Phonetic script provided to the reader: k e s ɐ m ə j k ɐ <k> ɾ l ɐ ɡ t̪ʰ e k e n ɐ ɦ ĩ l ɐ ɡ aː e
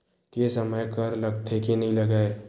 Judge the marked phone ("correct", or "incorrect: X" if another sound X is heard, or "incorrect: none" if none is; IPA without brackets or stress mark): incorrect: none